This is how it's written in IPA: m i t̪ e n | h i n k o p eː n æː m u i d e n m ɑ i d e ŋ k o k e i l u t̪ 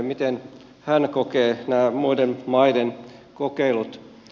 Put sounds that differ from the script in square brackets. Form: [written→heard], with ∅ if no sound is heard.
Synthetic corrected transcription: m i t̪ e n | h [i→æ] n k o [p→k] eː n æː m u i d e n m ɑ i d e [ŋ→n] k o k e i l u t̪